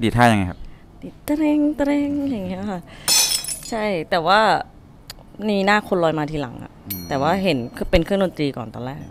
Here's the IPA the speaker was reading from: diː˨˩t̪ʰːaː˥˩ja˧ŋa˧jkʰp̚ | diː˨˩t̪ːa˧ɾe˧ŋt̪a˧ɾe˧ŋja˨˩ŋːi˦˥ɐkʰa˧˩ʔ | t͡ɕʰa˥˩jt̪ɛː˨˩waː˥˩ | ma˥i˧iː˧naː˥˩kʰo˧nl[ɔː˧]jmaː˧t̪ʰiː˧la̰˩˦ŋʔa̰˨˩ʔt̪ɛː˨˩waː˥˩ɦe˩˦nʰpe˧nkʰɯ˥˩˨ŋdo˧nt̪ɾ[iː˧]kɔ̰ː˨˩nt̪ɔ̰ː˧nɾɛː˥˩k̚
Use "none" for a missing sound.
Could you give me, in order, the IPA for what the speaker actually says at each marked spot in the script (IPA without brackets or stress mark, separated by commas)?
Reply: ɔː˧, iː˧